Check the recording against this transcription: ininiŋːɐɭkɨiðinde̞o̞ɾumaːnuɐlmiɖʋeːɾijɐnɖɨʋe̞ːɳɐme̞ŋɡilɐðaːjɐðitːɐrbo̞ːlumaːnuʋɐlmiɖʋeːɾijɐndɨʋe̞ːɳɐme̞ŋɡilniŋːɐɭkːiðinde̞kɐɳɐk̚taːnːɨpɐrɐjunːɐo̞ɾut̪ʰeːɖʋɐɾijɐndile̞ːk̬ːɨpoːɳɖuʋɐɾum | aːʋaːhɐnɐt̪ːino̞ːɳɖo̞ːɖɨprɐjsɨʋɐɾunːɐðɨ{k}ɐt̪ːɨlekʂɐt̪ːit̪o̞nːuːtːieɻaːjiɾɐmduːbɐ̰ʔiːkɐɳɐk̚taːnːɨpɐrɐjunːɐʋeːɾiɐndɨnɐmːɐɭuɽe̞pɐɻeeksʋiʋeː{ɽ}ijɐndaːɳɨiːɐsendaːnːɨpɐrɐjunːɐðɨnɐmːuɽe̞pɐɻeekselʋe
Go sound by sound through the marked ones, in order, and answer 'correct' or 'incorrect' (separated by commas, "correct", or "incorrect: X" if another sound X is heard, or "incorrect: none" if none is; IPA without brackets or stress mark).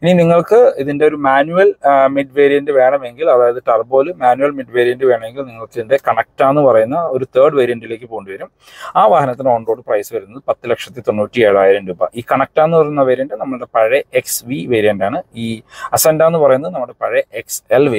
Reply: incorrect: p, incorrect: ɾ